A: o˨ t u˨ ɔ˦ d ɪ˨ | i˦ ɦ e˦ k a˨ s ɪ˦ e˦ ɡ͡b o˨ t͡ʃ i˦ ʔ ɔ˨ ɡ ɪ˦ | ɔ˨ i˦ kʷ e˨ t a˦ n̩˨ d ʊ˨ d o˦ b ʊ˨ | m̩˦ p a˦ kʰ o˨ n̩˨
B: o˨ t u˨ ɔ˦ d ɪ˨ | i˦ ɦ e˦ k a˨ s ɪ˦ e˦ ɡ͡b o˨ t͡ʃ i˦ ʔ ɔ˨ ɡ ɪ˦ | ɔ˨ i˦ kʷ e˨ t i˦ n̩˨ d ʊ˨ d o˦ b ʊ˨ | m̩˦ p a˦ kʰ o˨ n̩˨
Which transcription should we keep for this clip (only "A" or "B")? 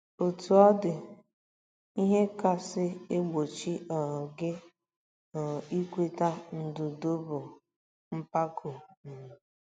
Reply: A